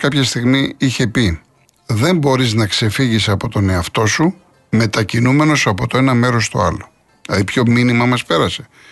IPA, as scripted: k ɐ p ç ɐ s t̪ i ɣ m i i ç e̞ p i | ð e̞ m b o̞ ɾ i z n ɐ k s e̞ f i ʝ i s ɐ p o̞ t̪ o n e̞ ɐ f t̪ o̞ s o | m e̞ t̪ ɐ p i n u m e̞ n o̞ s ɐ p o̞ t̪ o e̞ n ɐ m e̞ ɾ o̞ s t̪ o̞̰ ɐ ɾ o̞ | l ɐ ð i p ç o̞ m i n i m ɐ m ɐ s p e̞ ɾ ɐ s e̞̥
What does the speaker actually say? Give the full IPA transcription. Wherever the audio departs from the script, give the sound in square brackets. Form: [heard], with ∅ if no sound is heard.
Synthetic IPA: k ɐ p ç ɐ s t̪ i ɣ m i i ç e̞ p i | ð e̞ m b o̞ ɾ i z n ɐ k s e̞ f i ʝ i s ɐ p o̞ t̪ o n e̞ ɐ f t̪ o̞ s [u] | m e̞ t̪ ɐ [c] i n u m e̞ n o̞ s ɐ p o̞ t̪ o e̞ n ɐ m e̞ ɾ o̞ s t̪ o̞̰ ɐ [l] o̞ | l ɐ ð i p ç o̞ m i n i m ɐ m ɐ s p e̞ ɾ ɐ s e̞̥